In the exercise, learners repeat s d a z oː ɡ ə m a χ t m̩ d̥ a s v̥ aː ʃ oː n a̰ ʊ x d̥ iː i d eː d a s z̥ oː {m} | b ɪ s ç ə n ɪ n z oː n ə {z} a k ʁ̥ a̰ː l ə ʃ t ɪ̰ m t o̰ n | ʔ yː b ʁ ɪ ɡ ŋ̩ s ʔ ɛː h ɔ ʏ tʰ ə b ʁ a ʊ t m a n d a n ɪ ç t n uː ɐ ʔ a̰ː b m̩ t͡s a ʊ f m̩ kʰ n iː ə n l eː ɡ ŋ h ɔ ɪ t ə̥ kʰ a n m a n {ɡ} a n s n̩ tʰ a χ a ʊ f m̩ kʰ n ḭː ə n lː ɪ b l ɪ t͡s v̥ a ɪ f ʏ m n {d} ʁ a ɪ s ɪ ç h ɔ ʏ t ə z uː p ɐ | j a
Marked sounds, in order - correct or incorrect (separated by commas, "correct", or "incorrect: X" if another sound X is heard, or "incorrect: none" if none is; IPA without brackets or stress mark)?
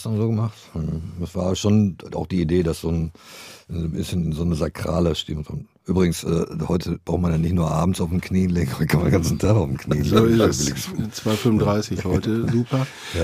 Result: incorrect: n, correct, correct, correct